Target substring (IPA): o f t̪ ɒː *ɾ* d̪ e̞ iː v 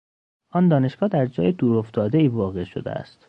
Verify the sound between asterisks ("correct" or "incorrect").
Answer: incorrect